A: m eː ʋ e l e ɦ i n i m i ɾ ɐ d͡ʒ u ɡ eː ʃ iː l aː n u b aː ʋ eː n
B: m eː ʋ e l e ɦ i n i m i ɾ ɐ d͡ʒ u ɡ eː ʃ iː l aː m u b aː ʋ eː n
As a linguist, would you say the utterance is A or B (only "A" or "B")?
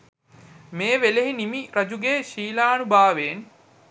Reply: A